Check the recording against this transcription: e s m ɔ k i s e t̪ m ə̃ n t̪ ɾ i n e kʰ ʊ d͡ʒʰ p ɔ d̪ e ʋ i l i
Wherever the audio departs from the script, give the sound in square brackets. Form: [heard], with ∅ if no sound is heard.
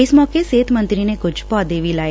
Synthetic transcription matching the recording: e s m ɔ k [e] s e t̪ m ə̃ n t̪ ɾ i n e [k] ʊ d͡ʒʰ p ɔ d̪ e ʋ i l [a]